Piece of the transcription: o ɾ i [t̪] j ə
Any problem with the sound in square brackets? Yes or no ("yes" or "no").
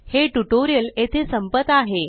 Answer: yes